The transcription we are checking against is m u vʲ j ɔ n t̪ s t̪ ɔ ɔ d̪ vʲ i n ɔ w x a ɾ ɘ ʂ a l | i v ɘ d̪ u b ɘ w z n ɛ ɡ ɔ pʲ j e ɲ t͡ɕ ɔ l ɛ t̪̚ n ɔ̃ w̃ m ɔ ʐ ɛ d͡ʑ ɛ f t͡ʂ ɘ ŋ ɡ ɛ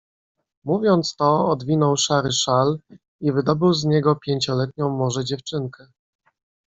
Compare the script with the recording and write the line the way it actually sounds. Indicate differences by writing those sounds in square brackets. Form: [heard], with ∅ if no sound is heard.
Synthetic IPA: m u vʲ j ɔ n t̪ s t̪ ɔ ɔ d̪ vʲ i n ɔ w [ʂ] a ɾ ɘ ʂ a l | i v ɘ d̪ [ɔ] b ɘ w z [ɲ] ɛ ɡ ɔ pʲ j e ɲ t͡ɕ ɔ l ɛ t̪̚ [ɲ] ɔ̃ w̃ m ɔ ʐ ɛ d͡ʑ ɛ f t͡ʂ ɘ ŋ [k] ɛ